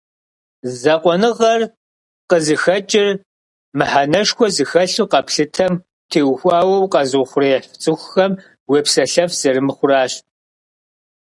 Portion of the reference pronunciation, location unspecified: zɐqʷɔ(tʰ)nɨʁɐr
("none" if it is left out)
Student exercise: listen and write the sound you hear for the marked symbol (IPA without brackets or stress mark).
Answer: none